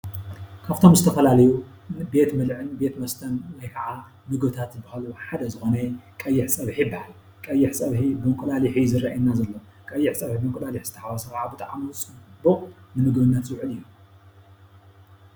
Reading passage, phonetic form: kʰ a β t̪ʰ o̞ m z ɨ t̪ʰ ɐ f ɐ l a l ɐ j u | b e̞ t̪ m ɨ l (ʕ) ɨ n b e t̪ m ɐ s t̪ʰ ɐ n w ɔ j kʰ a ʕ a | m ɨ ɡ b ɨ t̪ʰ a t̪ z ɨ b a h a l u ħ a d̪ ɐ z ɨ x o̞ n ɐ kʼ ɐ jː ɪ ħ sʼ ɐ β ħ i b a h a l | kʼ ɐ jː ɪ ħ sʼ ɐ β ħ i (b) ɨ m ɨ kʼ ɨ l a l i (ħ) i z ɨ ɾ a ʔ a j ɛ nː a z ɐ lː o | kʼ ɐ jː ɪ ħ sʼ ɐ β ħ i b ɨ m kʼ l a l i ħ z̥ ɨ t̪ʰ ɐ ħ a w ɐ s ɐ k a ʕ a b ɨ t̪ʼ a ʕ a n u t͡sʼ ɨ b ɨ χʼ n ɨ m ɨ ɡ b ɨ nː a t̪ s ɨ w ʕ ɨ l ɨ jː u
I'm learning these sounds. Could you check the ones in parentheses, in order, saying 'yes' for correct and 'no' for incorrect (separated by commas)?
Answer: yes, yes, yes